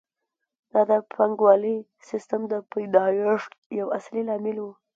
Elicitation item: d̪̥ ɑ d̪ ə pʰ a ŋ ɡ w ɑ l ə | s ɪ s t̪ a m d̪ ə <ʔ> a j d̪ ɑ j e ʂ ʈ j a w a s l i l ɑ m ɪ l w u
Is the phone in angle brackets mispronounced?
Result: yes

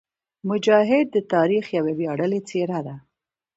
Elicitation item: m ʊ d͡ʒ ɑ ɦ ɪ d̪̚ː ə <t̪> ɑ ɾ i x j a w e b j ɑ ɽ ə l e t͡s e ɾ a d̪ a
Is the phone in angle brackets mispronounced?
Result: no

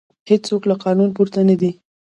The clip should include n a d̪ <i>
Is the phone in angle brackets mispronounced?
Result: no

